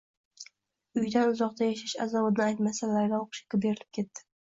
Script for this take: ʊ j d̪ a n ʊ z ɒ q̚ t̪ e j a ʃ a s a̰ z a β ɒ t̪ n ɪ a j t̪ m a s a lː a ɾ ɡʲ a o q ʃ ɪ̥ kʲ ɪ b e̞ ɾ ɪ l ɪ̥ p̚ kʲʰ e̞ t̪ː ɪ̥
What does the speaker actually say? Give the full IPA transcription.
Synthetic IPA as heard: ʊ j d̪ a n ʊ z ɒ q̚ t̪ a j a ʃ a ʃ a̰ z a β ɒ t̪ n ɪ a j t̪ m a s a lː a ɾ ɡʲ a o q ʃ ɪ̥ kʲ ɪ b e̞ ɾ ɪ l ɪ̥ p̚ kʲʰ e̞ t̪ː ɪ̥